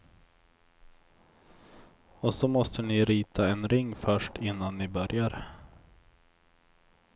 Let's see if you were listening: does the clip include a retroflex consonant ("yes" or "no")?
yes